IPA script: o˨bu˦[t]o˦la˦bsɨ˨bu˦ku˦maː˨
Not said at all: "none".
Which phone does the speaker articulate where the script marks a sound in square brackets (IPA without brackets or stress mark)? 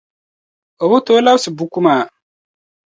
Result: t